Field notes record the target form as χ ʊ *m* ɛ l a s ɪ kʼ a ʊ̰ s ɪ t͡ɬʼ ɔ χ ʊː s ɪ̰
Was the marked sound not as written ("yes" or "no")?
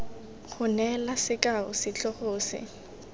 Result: yes